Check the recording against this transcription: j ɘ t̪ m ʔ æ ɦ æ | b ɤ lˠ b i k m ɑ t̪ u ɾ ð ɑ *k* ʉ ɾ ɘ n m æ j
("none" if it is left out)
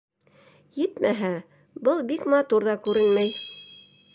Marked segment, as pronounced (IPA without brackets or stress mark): k